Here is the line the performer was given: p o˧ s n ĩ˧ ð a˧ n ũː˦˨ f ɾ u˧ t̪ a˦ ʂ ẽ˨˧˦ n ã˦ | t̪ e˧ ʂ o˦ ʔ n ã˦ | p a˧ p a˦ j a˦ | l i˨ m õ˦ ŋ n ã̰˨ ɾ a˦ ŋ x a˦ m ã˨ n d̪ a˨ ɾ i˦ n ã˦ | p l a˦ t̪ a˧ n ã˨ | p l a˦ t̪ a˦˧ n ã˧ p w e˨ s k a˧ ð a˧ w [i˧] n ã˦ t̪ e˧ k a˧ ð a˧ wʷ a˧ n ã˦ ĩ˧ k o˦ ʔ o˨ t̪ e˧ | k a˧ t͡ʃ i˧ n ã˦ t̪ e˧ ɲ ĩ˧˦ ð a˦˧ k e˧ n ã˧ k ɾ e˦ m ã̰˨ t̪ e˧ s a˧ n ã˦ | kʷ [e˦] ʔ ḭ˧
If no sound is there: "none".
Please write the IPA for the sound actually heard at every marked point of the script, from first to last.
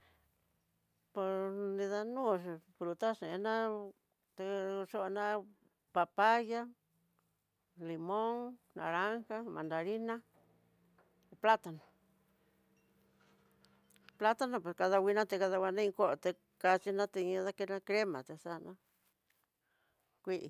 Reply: i˧, i˦

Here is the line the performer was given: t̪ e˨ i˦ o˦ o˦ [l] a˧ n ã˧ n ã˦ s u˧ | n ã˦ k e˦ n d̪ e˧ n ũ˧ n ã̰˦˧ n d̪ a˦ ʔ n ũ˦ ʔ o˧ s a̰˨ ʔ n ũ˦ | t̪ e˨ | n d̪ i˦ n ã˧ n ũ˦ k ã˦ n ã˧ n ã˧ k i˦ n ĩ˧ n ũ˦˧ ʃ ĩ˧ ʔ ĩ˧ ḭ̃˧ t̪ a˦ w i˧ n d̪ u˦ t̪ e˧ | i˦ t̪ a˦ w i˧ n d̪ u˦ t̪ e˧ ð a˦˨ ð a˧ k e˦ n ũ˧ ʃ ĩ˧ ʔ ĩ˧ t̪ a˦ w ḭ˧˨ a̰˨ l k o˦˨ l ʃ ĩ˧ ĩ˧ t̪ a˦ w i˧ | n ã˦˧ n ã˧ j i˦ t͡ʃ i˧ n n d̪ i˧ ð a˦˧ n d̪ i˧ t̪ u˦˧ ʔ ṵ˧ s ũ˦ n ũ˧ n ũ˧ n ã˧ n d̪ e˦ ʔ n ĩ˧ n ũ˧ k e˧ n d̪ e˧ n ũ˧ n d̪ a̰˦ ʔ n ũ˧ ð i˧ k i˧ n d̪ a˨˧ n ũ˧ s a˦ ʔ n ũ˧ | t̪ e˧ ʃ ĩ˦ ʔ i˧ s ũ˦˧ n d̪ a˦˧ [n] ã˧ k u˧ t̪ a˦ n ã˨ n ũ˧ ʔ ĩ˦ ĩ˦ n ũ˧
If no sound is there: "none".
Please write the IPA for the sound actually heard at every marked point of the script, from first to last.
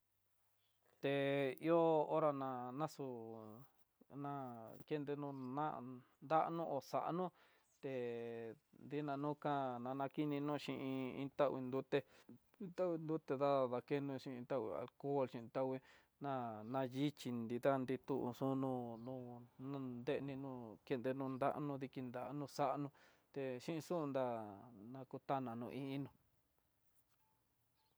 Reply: ɾ, n

